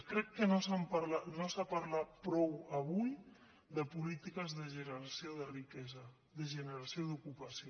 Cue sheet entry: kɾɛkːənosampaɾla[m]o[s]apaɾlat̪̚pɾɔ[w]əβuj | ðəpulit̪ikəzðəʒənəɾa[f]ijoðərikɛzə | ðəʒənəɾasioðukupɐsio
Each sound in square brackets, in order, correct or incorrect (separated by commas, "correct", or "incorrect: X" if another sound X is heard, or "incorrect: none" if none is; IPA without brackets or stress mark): incorrect: n, correct, correct, incorrect: s